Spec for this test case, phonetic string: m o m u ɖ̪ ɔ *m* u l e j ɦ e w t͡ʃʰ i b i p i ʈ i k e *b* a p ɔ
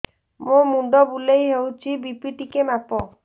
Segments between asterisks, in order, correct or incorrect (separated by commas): incorrect, incorrect